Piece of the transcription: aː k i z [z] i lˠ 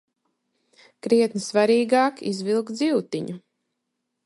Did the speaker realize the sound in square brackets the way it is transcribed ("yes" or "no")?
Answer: no